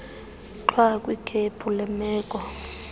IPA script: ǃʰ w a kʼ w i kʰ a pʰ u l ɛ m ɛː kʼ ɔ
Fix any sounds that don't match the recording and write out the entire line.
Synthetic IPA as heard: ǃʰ w a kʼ w i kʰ e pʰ u l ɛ m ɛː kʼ ɔ